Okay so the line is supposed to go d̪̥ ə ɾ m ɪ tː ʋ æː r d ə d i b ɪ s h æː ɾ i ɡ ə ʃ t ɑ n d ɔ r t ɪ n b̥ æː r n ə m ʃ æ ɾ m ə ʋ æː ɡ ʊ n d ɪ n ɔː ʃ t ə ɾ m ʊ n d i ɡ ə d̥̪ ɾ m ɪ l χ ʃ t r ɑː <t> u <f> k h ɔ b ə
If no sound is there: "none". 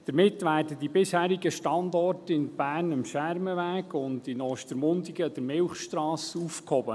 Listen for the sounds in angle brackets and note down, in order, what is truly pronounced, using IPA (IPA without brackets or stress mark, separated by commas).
s, f